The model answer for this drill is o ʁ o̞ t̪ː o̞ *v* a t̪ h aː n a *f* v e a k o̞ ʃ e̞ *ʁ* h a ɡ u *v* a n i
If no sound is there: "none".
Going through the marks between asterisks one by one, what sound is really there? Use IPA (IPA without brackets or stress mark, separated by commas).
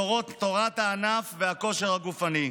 ʁ, f, ʁ, f